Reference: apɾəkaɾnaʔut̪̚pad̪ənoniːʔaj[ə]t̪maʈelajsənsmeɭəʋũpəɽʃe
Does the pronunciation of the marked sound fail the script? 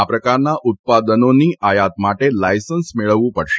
yes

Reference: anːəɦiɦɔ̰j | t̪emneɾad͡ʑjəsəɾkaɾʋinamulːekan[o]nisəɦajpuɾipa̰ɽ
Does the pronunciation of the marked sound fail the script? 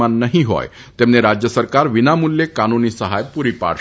yes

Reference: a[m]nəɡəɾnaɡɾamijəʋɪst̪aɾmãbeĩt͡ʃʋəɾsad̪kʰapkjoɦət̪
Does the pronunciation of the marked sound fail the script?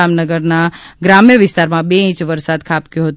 no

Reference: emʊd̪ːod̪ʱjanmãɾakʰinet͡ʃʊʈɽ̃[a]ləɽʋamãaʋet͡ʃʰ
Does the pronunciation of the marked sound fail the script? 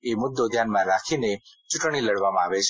yes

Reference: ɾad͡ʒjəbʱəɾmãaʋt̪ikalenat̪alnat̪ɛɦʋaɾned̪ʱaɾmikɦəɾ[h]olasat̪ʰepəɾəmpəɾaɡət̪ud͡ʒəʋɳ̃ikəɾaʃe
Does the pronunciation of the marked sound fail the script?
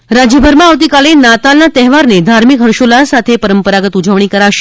yes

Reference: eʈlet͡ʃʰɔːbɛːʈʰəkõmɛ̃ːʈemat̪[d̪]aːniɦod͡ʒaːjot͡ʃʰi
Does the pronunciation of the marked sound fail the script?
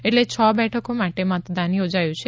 no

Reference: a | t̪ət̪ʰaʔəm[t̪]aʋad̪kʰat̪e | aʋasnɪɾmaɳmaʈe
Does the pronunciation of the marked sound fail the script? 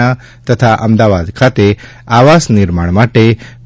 yes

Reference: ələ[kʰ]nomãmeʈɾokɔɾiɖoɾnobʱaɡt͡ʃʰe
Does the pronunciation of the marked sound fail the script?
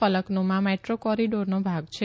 yes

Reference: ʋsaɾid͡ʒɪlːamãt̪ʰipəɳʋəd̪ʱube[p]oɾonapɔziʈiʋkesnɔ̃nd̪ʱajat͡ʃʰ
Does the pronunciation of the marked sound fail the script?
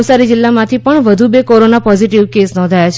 yes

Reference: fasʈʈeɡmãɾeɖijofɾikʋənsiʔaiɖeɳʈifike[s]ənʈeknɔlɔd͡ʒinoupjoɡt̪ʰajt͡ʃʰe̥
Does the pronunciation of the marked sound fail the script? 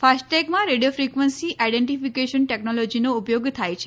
yes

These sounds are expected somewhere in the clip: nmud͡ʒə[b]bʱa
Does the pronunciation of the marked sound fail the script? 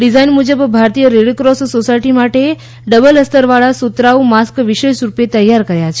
no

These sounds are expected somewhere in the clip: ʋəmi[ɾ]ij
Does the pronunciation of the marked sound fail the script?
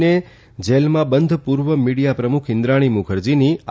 yes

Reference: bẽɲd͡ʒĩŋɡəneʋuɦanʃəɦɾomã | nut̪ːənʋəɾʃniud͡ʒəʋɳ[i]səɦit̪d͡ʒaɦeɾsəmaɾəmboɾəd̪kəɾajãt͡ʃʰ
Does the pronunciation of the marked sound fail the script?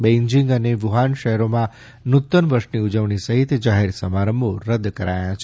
no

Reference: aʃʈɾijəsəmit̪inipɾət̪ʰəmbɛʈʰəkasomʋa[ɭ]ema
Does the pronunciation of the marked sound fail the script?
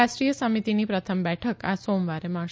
yes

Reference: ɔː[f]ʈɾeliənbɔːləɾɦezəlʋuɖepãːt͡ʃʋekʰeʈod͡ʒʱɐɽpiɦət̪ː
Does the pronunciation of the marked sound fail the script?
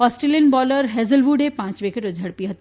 yes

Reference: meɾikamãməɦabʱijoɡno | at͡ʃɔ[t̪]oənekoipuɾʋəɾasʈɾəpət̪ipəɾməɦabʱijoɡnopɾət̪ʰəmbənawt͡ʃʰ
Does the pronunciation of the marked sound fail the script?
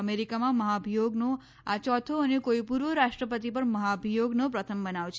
yes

